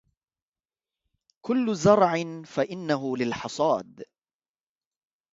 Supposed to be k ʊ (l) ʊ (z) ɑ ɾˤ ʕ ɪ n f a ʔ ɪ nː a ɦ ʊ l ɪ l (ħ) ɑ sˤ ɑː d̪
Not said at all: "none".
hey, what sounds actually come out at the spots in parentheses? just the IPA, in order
lː, z, ħ

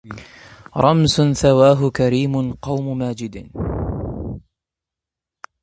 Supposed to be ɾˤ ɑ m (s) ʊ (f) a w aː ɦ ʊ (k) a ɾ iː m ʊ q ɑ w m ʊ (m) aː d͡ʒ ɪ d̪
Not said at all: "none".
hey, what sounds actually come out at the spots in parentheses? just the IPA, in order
s, θ, k, m

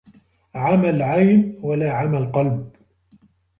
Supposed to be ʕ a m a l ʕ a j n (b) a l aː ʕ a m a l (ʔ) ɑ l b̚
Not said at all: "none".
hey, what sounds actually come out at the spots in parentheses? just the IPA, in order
w, q

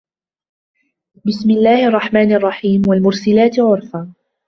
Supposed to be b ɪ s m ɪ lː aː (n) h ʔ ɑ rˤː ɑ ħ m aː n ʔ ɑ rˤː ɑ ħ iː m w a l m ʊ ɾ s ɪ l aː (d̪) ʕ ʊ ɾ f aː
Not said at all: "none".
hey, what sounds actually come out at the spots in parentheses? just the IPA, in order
none, t̪

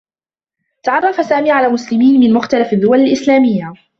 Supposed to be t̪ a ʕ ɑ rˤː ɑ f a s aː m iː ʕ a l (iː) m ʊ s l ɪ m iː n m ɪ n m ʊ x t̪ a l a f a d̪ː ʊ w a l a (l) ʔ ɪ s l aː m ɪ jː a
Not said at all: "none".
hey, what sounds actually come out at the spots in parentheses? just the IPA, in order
aː, l

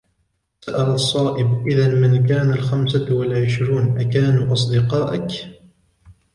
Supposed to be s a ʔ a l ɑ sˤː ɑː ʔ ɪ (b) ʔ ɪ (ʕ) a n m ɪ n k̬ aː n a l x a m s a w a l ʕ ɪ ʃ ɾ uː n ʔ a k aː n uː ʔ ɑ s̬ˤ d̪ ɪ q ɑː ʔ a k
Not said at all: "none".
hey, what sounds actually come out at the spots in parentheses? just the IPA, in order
b, ð

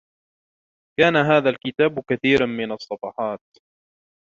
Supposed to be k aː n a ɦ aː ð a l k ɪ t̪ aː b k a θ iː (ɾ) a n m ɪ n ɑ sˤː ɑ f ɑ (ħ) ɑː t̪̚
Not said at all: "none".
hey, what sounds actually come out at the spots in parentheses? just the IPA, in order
ɾ, ħ

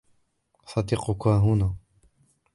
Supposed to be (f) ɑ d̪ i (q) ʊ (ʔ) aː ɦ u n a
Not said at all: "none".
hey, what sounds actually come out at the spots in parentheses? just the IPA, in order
s, q, k

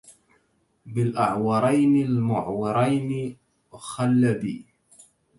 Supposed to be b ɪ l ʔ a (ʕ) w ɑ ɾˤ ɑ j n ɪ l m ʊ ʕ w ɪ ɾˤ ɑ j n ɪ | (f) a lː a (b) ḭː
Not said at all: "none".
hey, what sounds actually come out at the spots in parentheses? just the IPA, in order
ʕ, x, b

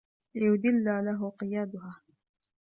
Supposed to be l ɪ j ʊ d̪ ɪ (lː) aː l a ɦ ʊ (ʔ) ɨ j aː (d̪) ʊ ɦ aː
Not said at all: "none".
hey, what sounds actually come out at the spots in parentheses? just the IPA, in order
lː, q, d̪

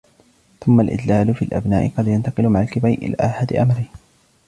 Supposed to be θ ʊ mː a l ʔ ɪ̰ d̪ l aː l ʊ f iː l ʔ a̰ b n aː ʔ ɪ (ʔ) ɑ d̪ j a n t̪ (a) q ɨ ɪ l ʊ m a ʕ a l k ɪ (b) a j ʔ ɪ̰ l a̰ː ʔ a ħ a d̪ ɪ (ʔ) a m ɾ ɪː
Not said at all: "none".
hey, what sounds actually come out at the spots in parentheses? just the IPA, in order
q, ɑ, b, ʔ

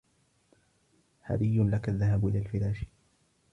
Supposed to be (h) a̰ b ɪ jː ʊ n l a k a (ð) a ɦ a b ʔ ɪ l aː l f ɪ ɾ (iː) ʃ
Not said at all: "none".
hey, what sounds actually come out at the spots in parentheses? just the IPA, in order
h, ðː, aː

